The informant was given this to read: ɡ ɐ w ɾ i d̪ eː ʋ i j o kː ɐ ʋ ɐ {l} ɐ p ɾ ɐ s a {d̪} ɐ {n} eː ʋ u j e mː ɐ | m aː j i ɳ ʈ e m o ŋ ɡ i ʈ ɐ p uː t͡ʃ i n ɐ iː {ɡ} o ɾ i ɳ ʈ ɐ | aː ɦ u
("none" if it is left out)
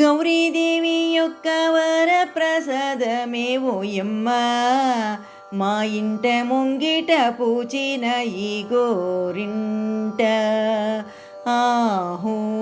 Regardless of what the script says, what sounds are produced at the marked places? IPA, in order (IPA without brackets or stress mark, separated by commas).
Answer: ɾ, d̪, m, ɡ